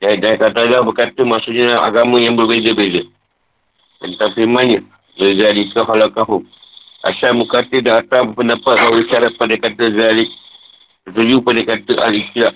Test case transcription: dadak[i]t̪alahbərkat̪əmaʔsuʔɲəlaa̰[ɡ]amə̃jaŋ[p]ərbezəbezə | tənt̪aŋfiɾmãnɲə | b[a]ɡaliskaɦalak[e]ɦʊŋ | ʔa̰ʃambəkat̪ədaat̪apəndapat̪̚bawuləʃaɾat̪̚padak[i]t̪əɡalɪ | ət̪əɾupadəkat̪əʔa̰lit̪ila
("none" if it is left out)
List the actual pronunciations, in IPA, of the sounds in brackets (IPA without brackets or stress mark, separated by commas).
a, ɡ, b, ə, a, a